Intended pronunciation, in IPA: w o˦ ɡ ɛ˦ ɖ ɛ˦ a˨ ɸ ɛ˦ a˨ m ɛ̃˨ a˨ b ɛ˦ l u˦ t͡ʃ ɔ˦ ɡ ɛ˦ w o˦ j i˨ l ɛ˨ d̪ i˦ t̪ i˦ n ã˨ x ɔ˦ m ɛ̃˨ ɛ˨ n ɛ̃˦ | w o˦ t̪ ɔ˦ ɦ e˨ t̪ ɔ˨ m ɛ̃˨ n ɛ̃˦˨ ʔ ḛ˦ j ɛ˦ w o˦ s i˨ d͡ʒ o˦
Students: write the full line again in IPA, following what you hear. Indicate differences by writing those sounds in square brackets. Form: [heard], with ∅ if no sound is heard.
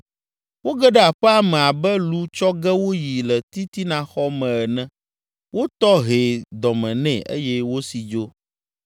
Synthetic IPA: w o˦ ɡ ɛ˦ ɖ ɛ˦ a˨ ɸ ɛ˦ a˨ m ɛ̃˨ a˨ b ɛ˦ l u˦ t͡ʃ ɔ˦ ɡ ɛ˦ w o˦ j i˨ l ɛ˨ [t̪] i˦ t̪ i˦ n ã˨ x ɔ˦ m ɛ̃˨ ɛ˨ n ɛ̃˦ | w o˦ t̪ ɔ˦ ɦ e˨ [d̪] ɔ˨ m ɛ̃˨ n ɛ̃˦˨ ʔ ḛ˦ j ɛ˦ w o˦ s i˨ d͡ʒ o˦

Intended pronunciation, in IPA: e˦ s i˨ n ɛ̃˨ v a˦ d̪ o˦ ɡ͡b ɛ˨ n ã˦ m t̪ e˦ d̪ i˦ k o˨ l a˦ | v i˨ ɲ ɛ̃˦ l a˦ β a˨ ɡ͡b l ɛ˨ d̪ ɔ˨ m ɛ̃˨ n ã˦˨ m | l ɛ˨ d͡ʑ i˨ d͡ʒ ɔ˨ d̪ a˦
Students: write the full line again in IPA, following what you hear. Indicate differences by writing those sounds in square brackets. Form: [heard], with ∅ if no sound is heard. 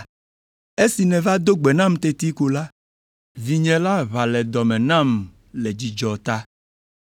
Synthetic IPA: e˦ s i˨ n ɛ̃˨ v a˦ d̪ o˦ ɡ͡b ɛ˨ n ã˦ m t̪ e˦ [t̪] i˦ k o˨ l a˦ | v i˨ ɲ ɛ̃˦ l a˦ β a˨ [∅] l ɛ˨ d̪ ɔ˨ m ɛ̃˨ n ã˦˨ m | l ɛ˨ d͡ʑ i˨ d͡ʒ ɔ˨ [t̪] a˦

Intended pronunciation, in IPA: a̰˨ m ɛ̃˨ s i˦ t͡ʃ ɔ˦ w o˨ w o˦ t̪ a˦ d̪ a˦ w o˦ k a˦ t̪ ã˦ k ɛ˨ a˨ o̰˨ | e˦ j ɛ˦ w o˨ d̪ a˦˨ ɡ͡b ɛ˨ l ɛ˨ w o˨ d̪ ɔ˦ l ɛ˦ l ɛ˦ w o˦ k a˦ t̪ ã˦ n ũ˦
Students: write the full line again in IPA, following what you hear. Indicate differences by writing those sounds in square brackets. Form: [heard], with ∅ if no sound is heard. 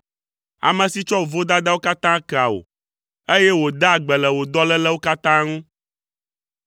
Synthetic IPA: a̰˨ m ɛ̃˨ s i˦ t͡ʃ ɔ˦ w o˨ [v] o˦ [d̪] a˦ d̪ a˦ w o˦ k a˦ t̪ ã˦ k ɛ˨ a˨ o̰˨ | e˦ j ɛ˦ w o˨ d̪ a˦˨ ɡ͡b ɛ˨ l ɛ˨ w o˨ d̪ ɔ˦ l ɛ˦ l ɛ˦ w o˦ k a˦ t̪ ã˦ [ŋ] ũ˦

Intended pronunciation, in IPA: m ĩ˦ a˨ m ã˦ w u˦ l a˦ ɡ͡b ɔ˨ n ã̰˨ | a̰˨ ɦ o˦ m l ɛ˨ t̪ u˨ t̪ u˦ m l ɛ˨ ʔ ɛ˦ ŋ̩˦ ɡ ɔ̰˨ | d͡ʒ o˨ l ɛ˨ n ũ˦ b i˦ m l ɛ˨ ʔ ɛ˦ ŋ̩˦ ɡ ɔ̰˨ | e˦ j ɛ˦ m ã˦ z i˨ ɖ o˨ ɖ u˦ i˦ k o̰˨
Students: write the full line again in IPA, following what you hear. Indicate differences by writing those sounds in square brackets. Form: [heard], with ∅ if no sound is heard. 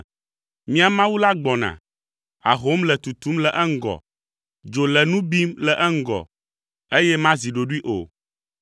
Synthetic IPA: m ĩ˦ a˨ m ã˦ w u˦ l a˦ ɡ͡b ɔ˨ n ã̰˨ | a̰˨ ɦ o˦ m l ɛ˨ t̪ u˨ t̪ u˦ m l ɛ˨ ʔ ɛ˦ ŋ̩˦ ɡ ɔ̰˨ | d͡ʒ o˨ l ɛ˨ n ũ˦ b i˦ m l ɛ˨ ʔ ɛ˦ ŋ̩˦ ɡ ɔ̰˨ | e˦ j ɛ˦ m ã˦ z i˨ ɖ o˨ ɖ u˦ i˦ [ʔ] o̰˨

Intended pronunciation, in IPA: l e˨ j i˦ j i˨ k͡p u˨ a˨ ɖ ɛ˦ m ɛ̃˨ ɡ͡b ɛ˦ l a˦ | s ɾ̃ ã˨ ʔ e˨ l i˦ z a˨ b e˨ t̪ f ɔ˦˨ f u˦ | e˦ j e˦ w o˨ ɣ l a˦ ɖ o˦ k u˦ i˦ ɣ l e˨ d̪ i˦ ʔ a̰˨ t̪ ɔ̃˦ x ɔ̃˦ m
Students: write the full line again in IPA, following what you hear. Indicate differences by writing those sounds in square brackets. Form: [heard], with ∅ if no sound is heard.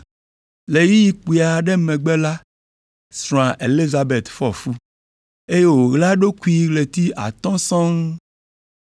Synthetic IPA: l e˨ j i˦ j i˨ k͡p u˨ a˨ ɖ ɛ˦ m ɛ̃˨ ɡ͡b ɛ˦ l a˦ | s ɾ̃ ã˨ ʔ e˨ l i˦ z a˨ b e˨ t̪ f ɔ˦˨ f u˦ | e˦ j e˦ w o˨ ɣ l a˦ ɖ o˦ k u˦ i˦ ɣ l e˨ [t̪] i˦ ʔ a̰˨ t̪ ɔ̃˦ [s] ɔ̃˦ [ŋ]

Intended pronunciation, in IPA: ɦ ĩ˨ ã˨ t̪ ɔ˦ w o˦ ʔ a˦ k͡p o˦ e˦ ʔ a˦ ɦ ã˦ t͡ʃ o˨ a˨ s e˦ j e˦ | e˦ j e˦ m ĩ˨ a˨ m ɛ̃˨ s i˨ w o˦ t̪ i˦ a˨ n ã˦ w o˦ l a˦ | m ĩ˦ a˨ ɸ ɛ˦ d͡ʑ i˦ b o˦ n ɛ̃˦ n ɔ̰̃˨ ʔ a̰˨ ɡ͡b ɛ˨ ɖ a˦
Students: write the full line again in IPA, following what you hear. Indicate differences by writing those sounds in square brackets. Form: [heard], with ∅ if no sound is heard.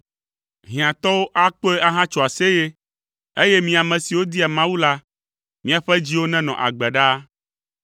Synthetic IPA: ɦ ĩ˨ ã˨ t̪ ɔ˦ w o˦ ʔ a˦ k͡p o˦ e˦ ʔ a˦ ɦ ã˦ t͡ʃ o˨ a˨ s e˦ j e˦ | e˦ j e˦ m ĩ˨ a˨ m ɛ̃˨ s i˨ w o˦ [d̪] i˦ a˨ [m] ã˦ w [u˦] l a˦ | m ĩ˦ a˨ ɸ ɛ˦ d͡ʑ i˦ [w] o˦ n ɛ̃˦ n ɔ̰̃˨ ʔ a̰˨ ɡ͡b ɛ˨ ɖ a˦

